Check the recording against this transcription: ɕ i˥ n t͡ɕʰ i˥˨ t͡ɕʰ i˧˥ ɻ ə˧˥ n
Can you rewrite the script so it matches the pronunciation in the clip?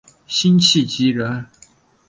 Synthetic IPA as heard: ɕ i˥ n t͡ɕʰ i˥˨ t͡ɕ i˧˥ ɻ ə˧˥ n